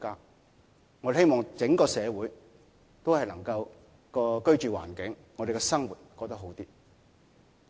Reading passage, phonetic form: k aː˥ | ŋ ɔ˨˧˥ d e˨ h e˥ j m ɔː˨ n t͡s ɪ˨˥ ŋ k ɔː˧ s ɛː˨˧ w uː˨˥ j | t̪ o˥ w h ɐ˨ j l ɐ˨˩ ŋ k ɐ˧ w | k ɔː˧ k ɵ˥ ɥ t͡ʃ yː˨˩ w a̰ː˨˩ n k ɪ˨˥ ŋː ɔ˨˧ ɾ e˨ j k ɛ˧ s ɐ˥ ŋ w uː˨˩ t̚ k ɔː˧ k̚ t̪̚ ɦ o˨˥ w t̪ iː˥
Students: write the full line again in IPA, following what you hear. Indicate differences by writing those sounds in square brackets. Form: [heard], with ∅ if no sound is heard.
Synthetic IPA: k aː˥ | ŋ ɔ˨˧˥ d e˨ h e˥ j m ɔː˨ [ŋ] t͡s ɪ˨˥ ŋ k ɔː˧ s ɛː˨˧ w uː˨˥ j | t̪ o˥ w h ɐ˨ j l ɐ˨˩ ŋ k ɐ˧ w | k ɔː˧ k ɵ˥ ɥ t͡ʃ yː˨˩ w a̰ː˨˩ n k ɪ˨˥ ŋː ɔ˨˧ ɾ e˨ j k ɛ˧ s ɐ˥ ŋ w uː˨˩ t̚ k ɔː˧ k̚ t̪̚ ɦ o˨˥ w t̪ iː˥

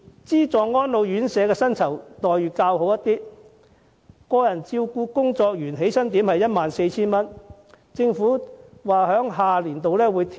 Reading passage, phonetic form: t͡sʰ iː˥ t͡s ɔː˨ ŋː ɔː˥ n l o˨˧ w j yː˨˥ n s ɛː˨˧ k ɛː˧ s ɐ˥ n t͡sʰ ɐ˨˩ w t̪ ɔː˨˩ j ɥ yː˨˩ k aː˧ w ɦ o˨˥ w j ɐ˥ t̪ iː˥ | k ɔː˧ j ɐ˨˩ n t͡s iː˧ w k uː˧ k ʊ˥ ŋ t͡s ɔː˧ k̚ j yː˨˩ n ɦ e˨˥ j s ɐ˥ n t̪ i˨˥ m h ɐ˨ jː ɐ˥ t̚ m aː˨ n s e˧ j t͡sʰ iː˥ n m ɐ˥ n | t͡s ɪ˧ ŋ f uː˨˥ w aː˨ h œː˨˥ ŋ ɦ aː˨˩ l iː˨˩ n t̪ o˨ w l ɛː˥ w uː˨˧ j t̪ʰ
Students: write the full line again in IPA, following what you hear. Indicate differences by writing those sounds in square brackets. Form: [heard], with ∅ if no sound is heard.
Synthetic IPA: [t͡s] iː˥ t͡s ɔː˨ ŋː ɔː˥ n l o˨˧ w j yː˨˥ n s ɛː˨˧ k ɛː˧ s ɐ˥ n t͡sʰ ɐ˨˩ w t̪ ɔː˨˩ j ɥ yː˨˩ k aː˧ w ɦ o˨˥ w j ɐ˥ t̪ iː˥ | k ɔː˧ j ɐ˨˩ n t͡s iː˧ w k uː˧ k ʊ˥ ŋ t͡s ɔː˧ k̚ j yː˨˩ n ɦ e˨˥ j s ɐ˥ n t̪ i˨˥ m h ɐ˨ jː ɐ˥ t̚ m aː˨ n s e˧ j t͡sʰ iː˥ n m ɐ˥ n | t͡s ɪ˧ ŋ f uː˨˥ w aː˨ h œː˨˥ ŋ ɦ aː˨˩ l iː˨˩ n t̪ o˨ w l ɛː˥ w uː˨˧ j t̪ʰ

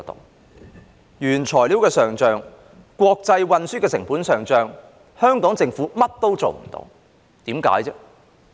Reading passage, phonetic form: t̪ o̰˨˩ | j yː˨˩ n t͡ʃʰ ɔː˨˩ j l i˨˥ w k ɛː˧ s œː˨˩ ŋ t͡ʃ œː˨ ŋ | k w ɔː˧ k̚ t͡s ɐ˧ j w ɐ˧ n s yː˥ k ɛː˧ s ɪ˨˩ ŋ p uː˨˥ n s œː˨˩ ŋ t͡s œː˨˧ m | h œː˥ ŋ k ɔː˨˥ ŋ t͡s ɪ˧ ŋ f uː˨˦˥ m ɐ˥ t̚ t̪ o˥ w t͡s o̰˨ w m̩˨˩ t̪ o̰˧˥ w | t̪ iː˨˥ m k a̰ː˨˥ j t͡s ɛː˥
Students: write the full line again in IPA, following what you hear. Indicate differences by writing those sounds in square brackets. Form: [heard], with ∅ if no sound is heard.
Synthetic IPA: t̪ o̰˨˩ | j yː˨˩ n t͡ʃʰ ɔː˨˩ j l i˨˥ w k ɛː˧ s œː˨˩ ŋ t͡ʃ œː˨ ŋ | k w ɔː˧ k̚ t͡s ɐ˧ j w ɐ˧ n s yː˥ k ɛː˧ s ɪ˨˩ ŋ p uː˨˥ n s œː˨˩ ŋ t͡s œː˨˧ [ŋ] | h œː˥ ŋ k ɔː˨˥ ŋ t͡s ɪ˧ ŋ f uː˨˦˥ m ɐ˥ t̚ t̪ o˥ w t͡s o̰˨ w m̩˨˩ t̪ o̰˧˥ w | t̪ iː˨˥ m k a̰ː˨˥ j t͡s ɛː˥

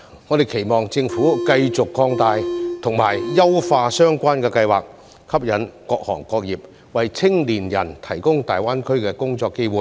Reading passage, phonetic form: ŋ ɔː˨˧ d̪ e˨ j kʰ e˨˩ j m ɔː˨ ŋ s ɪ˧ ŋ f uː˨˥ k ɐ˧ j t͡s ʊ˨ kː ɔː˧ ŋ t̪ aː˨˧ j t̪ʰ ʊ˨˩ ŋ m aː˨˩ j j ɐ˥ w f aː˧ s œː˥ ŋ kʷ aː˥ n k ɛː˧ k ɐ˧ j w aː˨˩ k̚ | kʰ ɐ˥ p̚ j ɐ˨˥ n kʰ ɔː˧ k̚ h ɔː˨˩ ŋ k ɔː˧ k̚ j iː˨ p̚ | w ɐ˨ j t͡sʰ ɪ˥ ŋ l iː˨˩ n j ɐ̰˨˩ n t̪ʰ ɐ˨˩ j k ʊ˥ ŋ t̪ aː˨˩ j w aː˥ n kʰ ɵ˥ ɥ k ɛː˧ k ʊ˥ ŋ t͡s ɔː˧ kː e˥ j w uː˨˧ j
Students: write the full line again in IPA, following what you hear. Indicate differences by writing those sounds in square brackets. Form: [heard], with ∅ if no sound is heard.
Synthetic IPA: ŋ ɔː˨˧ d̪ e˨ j kʰ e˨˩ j m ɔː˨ ŋ [t͡s] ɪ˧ ŋ f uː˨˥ k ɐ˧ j t͡s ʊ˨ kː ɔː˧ ŋ t̪ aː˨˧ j t̪ʰ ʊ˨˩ ŋ m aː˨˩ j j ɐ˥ w f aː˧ s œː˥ ŋ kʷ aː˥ n k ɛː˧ k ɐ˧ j w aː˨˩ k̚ | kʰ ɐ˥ p̚ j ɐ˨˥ n [k] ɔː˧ k̚ h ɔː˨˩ ŋ k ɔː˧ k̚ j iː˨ p̚ | w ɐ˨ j t͡sʰ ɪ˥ ŋ l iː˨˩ n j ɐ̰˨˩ n t̪ʰ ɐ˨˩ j k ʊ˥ ŋ t̪ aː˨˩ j w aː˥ n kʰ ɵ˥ ɥ k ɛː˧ k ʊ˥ ŋ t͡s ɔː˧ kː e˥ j w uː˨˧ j

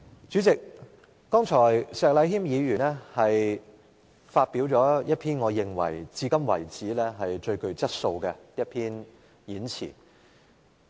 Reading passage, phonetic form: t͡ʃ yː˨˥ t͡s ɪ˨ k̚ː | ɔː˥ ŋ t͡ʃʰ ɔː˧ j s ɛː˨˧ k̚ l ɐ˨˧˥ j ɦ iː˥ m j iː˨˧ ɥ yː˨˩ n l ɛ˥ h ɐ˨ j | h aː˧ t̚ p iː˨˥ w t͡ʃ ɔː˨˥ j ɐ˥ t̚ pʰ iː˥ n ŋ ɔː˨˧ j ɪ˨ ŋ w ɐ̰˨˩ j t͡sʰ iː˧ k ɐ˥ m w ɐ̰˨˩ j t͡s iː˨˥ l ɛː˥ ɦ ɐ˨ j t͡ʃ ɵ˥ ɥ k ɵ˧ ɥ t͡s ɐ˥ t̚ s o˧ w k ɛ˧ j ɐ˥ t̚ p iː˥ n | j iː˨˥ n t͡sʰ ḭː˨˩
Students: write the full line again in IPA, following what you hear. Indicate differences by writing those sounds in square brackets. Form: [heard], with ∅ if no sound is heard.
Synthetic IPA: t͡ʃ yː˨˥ t͡s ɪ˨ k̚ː | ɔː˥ ŋ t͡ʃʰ [ɔː˨˩] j s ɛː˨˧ k̚ l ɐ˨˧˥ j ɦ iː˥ m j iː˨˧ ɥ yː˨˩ n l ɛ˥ h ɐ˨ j | [f] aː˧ t̚ p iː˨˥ w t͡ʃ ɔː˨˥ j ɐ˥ t̚ pʰ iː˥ n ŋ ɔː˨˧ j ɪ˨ ŋ w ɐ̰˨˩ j [t͡s] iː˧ k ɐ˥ m w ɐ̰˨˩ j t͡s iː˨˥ l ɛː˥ ɦ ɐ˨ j t͡ʃ [ɵ˧] ɥ k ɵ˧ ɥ t͡s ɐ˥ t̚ s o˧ w k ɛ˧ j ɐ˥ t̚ [pʰ] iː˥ n | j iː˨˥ n t͡sʰ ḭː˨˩

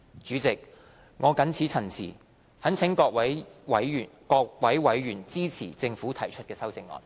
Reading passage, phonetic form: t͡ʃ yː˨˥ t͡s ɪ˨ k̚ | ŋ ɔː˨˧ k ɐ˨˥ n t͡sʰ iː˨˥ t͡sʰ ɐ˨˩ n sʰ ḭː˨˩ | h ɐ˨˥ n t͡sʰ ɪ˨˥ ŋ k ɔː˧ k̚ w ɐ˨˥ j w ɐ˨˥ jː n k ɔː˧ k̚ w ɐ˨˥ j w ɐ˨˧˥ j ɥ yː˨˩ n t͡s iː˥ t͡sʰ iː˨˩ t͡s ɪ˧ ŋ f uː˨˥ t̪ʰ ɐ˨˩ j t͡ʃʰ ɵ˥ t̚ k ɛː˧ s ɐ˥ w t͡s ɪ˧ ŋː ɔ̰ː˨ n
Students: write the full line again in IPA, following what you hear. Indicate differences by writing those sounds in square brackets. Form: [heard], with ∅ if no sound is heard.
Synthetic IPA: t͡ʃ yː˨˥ t͡s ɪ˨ k̚ | ŋ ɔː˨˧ k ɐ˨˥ n t͡sʰ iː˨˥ t͡sʰ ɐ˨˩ n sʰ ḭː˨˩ | h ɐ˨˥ n t͡sʰ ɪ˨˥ ŋ k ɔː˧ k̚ w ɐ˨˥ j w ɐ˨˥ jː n k ɔː˧ k̚ w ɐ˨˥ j w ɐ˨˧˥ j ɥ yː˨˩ n t͡s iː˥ t͡sʰ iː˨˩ t͡s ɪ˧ ŋ f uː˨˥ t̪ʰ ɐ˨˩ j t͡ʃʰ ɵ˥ t̚ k ɛː˧ s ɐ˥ w t͡s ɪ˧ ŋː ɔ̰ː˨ n

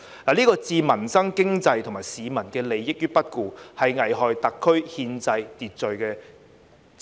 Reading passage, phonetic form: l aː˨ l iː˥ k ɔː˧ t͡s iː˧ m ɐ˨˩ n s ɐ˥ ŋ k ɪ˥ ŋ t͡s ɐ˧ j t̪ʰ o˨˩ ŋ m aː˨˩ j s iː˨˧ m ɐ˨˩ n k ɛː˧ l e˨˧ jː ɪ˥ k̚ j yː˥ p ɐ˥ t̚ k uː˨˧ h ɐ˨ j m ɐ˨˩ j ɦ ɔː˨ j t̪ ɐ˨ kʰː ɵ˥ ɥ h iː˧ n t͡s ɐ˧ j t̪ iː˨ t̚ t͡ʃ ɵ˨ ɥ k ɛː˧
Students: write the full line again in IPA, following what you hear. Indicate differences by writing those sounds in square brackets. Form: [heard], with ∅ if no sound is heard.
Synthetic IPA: l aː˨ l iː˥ k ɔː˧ t͡s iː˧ m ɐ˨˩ n s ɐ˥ ŋ k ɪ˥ ŋ t͡s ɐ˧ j t̪ʰ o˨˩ ŋ m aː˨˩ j s iː˨˧ m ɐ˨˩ n k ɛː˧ l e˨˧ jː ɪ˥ k̚ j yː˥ p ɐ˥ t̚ k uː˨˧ h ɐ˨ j [ŋ] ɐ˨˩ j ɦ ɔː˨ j t̪ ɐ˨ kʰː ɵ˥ ɥ h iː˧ n t͡s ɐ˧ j t̪ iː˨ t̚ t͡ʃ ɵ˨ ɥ k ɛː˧

